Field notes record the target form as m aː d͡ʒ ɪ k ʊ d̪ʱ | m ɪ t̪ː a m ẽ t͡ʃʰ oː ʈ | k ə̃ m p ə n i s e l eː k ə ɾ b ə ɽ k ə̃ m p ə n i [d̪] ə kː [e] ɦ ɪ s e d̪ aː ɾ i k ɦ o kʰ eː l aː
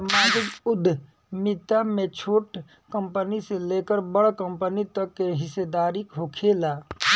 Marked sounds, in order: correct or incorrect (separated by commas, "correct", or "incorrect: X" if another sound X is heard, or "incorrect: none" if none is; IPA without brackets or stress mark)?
incorrect: t̪, correct